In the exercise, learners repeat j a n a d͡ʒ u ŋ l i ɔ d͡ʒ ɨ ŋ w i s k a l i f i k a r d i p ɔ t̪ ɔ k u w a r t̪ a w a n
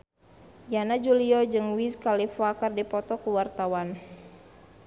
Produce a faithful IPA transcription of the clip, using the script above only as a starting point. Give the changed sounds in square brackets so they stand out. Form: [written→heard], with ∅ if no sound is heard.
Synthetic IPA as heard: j a n a d͡ʒ u [ŋ→∅] l i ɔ d͡ʒ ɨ ŋ w i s k a l i f [i→a] k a r d i p ɔ t̪ ɔ k u w a r t̪ a w a n